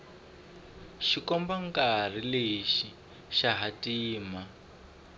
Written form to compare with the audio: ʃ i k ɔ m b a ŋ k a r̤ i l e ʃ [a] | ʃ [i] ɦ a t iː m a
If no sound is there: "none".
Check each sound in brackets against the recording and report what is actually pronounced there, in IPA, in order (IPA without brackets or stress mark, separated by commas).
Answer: i, a